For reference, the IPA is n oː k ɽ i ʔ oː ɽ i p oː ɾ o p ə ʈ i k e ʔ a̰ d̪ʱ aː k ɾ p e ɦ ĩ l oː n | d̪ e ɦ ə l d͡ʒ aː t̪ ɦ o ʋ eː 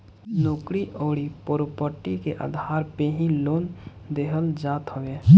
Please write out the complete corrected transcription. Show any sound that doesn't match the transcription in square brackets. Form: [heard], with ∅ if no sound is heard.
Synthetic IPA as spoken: n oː k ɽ i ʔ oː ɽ i p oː ɾ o p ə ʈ i k e ʔ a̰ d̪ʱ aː [∅] ɾ p e ɦ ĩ l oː n | d̪ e ɦ ə l d͡ʒ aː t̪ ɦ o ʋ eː